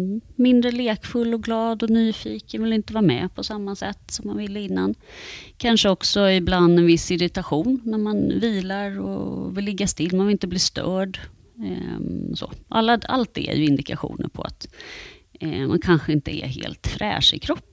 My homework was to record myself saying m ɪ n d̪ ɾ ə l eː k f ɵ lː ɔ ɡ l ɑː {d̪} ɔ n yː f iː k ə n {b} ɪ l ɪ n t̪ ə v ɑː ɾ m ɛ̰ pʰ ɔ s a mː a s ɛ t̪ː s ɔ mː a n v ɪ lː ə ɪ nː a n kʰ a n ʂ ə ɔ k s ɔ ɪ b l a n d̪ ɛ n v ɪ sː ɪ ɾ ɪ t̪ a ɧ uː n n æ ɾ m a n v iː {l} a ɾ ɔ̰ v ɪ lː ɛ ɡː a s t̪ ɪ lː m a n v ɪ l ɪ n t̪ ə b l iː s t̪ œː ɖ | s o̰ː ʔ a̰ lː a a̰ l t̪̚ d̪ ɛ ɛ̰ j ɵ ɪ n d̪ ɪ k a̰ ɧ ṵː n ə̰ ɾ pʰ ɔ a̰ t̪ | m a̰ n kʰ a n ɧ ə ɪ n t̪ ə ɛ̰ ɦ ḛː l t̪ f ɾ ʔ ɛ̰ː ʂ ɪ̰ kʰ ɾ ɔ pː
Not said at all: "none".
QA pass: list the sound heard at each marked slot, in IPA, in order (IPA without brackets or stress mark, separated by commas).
d̪, v, l